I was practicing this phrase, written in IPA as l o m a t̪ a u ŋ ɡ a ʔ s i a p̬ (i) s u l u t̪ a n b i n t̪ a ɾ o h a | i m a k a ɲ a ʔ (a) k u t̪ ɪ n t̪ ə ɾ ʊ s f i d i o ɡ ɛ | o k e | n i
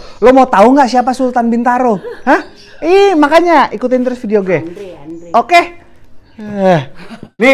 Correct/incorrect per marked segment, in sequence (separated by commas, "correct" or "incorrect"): incorrect, incorrect